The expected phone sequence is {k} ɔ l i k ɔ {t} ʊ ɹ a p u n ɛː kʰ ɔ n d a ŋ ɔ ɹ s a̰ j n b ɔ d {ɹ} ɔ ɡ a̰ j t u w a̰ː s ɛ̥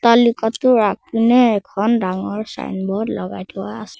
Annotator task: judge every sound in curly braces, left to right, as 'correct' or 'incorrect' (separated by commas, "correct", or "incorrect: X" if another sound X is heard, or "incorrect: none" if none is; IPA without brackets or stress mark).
incorrect: t, correct, incorrect: l